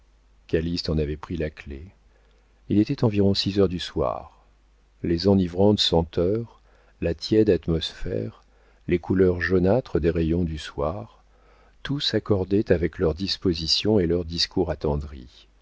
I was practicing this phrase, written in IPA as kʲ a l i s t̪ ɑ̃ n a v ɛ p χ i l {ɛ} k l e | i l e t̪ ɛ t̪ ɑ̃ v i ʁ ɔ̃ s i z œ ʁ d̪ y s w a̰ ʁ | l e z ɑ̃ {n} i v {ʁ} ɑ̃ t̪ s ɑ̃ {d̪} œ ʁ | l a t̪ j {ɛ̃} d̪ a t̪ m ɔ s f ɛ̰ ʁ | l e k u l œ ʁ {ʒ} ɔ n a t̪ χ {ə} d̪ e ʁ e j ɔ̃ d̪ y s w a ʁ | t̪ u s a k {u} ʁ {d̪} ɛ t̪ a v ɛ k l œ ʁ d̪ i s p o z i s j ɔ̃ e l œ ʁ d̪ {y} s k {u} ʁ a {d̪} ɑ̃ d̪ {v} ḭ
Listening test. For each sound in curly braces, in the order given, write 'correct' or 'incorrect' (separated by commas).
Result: incorrect, correct, correct, incorrect, incorrect, correct, correct, incorrect, correct, incorrect, correct, incorrect, incorrect